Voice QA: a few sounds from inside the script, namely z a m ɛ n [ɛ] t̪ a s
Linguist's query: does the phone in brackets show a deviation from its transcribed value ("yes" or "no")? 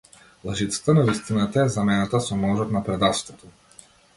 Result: yes